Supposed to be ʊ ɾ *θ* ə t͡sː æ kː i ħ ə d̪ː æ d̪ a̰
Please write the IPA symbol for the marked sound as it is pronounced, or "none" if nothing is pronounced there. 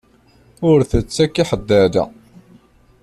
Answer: θ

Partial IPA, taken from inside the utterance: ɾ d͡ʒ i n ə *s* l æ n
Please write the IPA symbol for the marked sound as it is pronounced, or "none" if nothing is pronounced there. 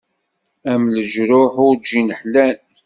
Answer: ħ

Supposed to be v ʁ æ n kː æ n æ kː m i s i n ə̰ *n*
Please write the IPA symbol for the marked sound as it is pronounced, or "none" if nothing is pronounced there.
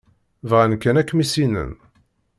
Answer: n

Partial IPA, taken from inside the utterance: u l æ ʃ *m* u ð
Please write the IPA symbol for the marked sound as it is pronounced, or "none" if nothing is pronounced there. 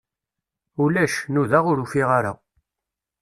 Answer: n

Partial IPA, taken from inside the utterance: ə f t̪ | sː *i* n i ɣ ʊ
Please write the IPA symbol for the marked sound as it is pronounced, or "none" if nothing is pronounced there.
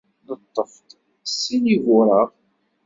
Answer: i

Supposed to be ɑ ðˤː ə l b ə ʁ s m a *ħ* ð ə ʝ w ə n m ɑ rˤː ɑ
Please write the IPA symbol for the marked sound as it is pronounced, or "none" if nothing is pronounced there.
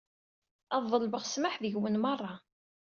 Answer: ħ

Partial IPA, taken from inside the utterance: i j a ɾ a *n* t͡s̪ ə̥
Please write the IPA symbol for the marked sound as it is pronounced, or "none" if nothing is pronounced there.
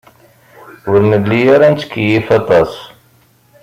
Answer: n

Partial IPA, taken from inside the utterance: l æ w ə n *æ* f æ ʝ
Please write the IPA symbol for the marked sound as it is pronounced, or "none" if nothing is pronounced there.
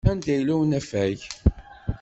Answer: æ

